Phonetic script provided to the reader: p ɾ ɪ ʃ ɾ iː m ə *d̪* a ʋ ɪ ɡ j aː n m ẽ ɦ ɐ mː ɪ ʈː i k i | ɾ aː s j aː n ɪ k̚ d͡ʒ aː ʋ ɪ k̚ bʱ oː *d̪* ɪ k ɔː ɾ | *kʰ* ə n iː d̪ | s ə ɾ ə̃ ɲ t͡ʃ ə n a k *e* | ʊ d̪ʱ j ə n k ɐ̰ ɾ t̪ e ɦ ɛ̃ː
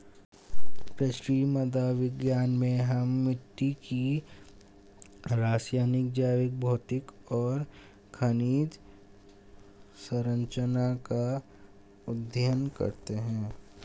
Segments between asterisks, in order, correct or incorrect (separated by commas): correct, incorrect, correct, incorrect